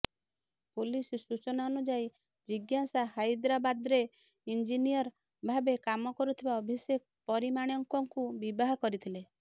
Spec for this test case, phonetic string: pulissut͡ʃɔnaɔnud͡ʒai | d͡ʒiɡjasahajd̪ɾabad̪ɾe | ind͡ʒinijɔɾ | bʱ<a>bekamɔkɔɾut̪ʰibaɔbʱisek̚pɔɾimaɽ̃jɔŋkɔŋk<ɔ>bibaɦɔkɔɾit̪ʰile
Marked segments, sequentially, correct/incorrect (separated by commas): correct, incorrect